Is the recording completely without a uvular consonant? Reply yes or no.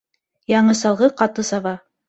no